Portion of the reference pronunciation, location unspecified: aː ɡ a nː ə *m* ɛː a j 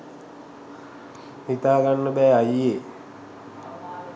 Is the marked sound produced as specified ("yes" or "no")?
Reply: no